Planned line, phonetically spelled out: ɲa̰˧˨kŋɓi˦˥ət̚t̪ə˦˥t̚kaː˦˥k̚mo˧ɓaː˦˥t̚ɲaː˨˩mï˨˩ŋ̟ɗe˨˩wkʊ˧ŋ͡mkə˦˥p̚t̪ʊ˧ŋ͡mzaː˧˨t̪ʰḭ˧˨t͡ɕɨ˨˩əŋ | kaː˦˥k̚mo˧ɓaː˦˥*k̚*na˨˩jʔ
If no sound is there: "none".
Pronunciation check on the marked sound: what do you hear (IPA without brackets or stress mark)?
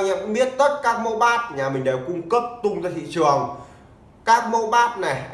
t̚